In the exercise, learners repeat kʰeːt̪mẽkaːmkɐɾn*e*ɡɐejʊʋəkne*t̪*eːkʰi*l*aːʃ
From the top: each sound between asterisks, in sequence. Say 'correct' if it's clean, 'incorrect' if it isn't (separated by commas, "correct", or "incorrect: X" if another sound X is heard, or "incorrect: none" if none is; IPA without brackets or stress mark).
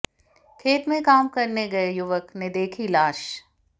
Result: correct, incorrect: d̪, correct